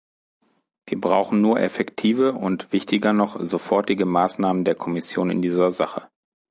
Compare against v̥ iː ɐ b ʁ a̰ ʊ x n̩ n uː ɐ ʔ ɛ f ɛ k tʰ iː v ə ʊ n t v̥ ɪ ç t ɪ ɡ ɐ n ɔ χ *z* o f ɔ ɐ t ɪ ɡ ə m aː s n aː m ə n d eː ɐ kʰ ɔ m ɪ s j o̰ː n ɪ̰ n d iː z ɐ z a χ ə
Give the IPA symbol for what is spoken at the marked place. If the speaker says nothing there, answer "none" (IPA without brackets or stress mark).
z